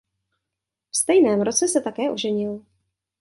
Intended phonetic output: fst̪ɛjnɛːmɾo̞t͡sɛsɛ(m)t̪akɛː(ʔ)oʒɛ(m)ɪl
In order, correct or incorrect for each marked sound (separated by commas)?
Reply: incorrect, correct, incorrect